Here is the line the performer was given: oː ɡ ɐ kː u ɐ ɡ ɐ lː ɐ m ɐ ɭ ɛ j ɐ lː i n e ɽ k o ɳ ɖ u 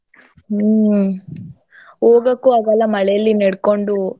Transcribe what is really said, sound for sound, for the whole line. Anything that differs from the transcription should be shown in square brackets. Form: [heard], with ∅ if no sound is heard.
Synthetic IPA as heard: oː ɡ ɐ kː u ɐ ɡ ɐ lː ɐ m ɐ ɭ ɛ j ɐ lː i n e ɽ k o ɳ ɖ u